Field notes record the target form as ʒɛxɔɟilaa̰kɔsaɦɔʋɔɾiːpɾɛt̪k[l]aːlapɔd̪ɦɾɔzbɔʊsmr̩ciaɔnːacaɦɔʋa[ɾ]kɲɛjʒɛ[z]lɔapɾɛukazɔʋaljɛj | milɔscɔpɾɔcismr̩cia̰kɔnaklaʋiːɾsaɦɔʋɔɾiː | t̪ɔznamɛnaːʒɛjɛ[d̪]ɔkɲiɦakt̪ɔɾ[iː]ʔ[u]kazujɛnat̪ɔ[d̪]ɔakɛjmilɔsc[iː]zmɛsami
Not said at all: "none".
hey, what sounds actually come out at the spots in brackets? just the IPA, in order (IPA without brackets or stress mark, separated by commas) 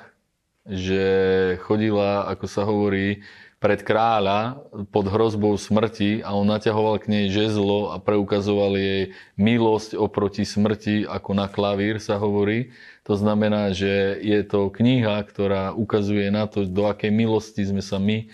ɾ, l, z, t̪, aː, u, d̪, i